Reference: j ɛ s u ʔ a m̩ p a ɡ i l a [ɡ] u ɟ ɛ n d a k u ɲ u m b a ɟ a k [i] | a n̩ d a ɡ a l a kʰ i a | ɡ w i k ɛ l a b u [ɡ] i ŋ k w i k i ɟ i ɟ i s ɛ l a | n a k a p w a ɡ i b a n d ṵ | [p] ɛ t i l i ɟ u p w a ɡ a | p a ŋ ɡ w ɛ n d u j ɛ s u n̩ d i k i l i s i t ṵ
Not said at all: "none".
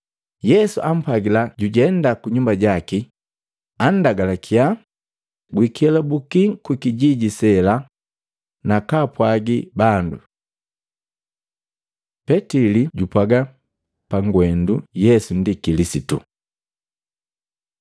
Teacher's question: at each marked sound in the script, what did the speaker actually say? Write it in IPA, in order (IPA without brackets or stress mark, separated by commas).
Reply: ɟ, i, k, p